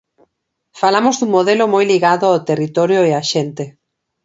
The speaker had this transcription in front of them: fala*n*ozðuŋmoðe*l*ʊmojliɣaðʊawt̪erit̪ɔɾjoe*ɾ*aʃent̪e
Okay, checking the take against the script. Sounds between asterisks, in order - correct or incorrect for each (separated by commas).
incorrect, correct, incorrect